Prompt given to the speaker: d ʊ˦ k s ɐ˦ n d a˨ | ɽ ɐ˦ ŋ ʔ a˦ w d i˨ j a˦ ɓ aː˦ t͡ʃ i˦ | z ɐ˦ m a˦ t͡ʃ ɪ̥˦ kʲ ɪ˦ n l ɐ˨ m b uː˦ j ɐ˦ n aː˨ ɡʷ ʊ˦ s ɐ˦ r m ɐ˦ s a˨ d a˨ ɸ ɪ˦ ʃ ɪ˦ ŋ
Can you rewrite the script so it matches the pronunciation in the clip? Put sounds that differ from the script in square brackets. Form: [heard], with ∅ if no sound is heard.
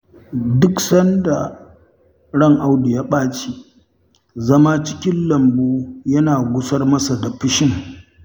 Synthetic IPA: d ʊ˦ k s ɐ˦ n d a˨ | ɽ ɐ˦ ŋ ʔ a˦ w d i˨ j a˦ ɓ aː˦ t͡ʃ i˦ | z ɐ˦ m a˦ t͡ʃ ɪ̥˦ kʲ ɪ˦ n l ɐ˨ m b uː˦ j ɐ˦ n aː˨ ɡʷ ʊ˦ s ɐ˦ r m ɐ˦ s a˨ d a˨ ɸ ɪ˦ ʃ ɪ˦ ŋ